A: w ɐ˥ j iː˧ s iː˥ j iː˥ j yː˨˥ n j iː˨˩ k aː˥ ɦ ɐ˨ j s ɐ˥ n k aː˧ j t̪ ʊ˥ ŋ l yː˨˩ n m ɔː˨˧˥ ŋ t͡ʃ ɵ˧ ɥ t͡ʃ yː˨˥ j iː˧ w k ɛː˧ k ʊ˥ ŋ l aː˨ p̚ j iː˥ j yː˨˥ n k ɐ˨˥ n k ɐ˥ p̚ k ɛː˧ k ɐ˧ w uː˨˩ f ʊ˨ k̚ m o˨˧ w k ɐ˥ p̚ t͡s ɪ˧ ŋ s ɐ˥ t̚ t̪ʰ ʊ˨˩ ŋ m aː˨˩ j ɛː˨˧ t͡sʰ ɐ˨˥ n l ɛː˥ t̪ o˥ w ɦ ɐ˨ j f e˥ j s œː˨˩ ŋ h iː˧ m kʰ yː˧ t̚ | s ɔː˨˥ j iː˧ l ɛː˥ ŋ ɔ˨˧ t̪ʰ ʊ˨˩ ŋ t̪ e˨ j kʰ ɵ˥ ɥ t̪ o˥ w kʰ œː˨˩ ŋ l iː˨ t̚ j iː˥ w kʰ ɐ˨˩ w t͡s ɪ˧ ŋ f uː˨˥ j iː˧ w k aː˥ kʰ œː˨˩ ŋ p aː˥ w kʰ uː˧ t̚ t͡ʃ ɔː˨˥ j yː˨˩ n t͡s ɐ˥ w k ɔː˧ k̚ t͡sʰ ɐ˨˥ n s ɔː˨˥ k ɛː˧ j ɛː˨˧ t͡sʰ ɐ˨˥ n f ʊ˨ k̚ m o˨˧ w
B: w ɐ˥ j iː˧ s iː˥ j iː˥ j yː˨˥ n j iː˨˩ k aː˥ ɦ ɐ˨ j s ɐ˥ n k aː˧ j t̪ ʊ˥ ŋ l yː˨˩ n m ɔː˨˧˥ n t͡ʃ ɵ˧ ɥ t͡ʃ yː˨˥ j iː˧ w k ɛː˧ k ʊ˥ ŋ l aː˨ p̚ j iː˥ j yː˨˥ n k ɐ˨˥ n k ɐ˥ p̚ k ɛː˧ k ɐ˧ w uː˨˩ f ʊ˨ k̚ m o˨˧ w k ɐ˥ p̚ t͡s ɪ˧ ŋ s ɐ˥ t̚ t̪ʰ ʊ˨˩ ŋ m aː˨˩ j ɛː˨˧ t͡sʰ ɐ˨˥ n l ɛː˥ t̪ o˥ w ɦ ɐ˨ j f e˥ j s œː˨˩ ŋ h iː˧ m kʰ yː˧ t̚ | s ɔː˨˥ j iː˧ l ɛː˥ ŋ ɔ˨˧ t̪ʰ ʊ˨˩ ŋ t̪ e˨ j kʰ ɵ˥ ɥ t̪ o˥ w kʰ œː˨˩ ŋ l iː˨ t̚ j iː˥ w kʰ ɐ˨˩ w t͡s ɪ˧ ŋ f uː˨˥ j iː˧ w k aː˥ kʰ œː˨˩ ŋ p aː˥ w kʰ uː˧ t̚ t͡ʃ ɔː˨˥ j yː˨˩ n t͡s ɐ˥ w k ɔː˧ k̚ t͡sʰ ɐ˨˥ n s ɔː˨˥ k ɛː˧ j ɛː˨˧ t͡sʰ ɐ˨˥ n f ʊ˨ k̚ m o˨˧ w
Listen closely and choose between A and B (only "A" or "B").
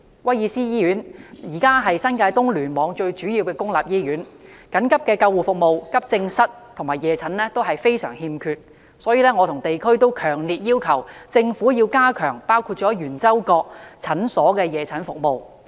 A